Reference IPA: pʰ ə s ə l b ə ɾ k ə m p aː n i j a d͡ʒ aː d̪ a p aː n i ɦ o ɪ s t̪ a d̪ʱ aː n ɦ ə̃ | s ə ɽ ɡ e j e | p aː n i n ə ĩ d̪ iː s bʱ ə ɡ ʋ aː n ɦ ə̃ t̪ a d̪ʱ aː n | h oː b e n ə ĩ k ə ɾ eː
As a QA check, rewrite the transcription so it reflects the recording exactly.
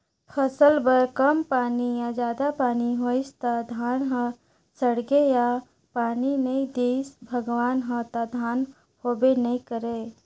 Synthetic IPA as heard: pʰ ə s ə l b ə ɾ k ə m p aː n i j a d͡ʒ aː d̪ a p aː n i ɦ o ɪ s t̪ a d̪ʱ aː n ɦ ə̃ | s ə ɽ ɡ e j a | p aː n i n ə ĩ d̪ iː s bʱ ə ɡ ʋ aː n ɦ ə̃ t̪ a d̪ʱ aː n | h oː b e n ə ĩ k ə ɾ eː